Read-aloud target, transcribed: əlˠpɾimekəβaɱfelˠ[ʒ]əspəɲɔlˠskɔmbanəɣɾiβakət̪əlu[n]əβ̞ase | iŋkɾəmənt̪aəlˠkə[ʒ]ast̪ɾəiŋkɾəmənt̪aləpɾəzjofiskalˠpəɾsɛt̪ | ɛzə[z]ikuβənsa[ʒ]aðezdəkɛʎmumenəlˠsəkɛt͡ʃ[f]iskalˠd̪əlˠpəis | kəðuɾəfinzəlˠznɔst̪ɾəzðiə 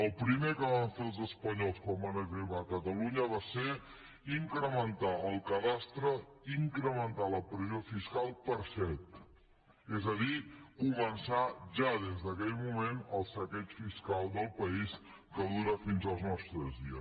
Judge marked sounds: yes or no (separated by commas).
no, no, no, no, yes, yes